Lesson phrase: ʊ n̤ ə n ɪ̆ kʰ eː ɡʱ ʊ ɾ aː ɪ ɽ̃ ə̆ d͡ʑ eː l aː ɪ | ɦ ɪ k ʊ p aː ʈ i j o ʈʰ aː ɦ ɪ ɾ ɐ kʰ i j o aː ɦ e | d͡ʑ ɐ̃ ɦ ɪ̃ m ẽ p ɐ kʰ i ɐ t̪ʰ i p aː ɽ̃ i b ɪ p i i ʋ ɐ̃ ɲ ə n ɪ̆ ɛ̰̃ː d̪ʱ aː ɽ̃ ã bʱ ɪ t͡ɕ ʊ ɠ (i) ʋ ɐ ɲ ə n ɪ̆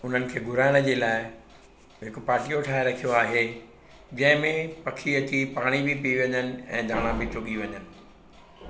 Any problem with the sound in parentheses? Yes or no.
no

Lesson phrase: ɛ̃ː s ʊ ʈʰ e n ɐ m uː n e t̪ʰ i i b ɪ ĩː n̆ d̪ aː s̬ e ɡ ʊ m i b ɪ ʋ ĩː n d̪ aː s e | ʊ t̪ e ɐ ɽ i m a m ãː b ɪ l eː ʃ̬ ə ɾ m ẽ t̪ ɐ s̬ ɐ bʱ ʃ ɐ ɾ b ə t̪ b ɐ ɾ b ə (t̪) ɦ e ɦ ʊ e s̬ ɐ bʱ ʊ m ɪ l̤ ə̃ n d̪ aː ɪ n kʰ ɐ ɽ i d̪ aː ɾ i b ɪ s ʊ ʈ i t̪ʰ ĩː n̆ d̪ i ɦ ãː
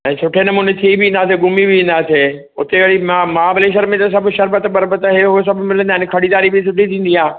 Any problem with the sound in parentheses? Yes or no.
no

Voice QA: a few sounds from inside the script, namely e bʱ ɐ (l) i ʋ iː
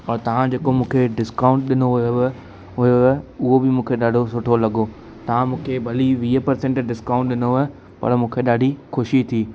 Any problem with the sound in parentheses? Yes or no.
no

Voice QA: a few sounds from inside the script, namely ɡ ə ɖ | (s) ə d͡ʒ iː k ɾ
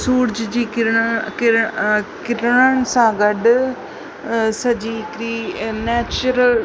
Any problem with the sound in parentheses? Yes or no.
no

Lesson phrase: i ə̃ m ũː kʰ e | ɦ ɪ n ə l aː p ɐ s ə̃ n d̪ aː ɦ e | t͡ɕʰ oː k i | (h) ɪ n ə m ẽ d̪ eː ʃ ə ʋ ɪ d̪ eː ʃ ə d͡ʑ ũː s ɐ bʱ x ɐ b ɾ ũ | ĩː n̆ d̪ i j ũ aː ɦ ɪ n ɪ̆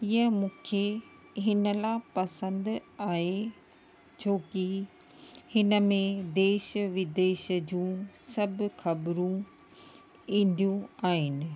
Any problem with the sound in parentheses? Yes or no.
no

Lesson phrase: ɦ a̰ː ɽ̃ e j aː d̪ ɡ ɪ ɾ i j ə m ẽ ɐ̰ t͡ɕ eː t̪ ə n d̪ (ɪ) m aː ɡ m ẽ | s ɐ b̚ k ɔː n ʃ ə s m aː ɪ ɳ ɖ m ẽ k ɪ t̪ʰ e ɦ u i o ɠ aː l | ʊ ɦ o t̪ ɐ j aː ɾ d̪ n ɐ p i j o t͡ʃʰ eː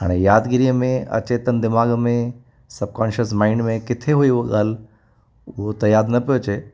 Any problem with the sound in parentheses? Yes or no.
no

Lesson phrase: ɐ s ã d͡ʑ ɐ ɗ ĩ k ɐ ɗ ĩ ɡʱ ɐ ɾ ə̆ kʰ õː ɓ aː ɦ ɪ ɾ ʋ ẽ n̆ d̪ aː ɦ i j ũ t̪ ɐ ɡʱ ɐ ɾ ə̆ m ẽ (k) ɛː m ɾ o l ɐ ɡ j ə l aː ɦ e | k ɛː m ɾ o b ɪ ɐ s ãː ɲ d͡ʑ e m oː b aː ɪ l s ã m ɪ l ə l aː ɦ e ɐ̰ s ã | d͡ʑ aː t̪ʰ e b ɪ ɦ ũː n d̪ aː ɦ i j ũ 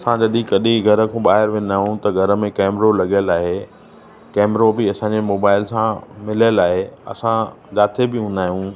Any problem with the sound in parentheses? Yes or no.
no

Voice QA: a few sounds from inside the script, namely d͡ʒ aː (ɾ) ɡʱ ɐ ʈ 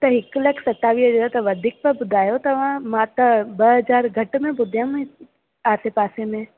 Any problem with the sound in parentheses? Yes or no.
no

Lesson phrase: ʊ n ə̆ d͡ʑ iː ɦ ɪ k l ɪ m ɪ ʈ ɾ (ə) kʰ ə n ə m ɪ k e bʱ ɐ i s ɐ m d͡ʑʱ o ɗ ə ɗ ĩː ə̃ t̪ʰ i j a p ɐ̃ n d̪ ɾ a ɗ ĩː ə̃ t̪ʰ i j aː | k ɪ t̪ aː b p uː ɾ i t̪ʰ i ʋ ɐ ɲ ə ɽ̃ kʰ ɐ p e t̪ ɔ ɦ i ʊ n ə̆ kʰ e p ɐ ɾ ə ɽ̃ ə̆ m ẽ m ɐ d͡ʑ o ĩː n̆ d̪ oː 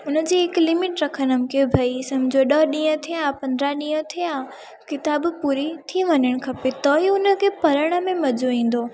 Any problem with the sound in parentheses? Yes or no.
yes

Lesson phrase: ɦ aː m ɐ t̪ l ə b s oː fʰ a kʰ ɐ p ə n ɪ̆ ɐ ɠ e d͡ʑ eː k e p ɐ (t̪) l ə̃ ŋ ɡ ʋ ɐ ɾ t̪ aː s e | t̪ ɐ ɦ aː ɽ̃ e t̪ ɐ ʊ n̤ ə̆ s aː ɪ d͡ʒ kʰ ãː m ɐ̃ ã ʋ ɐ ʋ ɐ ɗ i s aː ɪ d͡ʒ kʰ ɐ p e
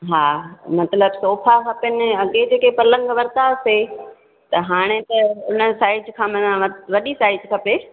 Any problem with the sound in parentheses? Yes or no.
yes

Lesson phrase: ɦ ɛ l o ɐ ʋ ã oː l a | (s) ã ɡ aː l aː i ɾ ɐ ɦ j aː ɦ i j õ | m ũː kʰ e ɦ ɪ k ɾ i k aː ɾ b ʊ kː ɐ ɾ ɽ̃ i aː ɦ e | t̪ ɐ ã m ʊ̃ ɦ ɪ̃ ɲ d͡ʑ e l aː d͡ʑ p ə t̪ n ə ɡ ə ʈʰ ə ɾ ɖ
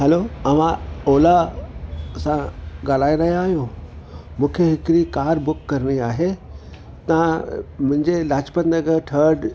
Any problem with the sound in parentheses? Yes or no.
no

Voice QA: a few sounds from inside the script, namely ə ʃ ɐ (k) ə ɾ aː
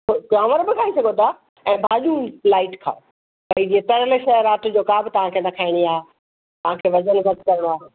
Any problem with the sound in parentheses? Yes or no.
yes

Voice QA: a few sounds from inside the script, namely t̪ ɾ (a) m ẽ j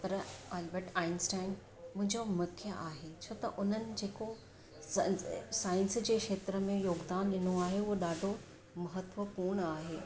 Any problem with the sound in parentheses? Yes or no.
yes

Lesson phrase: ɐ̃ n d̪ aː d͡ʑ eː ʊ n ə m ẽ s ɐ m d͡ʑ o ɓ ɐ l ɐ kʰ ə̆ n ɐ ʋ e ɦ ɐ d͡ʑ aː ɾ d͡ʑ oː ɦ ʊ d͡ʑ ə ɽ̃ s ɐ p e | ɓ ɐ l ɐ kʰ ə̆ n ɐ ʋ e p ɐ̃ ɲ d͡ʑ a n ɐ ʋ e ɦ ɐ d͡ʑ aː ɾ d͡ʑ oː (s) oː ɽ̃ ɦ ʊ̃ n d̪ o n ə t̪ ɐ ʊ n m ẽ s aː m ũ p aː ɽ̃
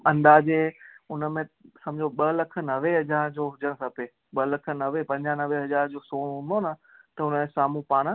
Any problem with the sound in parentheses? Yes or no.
no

